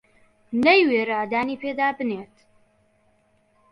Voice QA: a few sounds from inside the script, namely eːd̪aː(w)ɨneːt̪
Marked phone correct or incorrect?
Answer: incorrect